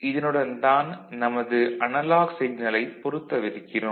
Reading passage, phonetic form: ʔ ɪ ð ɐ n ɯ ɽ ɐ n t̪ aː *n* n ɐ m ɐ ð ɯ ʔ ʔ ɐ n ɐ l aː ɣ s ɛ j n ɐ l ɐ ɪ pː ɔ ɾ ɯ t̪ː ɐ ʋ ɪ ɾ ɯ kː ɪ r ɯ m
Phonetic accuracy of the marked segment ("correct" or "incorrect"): correct